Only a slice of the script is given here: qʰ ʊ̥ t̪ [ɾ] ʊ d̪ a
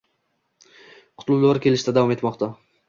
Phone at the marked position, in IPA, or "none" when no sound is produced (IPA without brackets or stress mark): l